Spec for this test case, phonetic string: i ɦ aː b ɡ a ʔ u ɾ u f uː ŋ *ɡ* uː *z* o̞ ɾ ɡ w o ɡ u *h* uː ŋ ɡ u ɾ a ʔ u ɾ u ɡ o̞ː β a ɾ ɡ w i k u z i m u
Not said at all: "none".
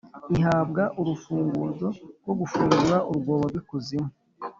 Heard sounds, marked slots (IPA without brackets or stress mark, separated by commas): ɡ, z, f